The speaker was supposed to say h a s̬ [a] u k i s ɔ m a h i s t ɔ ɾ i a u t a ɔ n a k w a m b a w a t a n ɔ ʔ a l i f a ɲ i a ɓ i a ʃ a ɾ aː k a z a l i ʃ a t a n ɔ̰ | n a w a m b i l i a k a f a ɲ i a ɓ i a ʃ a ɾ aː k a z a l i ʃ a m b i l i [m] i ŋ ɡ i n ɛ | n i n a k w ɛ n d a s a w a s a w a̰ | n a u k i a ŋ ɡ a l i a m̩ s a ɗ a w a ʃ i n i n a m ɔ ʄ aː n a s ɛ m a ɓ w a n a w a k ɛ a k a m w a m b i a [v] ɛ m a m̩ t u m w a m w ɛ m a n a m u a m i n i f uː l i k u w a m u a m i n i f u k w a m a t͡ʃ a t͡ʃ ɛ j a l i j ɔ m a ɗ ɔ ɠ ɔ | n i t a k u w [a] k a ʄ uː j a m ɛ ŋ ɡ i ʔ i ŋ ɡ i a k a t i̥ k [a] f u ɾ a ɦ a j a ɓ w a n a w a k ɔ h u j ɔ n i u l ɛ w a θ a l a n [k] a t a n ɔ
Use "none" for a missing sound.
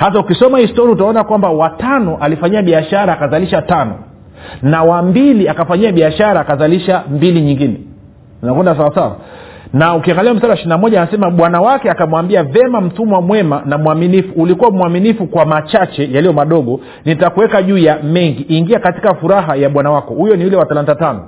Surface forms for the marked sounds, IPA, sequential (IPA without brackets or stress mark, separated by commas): a, ɲ, v, ɛ, a, t